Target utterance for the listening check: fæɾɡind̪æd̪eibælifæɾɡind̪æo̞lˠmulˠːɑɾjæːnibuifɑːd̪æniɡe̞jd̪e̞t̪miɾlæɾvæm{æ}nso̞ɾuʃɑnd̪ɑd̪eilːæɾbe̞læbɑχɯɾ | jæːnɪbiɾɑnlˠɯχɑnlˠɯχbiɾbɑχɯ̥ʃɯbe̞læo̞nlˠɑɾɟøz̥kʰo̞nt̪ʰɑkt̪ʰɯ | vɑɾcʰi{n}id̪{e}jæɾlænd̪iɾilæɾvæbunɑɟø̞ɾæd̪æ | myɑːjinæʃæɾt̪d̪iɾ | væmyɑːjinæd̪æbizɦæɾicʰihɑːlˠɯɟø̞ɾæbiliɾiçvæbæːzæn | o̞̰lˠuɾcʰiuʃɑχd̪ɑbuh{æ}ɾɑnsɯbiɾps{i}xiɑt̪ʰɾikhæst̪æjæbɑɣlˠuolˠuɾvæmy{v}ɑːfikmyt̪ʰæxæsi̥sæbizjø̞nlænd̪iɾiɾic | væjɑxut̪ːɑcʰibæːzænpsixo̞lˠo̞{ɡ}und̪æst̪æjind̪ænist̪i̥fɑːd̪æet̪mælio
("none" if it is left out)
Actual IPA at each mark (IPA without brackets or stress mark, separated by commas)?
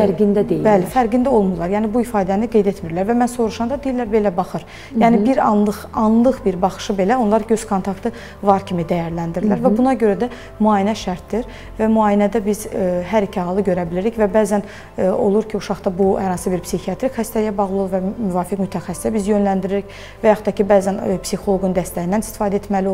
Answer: æ, m, æ, æ, i, v, ɡ